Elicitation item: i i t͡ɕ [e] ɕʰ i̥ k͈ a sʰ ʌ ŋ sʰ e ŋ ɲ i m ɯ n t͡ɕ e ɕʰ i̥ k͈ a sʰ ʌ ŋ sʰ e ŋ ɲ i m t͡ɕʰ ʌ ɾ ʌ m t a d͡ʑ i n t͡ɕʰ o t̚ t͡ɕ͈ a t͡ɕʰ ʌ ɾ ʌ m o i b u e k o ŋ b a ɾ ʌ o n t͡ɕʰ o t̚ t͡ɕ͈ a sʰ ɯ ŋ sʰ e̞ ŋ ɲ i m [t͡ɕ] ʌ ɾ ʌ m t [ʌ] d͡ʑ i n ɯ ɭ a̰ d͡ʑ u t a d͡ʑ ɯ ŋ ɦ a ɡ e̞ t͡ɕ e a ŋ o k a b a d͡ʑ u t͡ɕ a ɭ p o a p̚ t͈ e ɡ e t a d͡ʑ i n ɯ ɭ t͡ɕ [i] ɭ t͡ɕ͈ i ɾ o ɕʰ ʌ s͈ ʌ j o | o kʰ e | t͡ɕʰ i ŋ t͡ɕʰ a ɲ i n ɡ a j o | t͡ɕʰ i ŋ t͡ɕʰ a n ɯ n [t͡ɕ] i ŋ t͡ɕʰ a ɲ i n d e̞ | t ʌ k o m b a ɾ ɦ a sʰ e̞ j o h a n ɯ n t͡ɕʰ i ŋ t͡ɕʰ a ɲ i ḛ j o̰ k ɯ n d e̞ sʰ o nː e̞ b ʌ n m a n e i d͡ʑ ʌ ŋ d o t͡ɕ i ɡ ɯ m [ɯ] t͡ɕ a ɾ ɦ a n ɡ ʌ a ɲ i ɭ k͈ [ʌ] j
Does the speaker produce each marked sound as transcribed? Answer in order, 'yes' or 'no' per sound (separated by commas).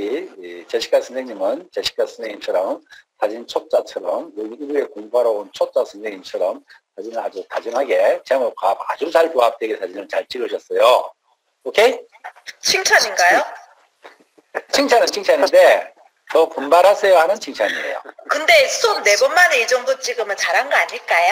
yes, no, no, no, no, yes, no